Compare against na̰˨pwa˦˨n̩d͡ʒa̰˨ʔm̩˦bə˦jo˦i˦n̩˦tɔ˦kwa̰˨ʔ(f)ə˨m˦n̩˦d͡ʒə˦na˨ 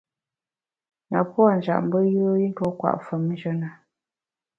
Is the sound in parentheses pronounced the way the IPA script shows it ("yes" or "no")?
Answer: yes